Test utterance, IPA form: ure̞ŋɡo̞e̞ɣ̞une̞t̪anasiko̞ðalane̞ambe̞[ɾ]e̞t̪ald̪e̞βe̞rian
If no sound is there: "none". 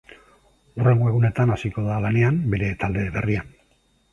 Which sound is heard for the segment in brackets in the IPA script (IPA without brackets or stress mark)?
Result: ɾ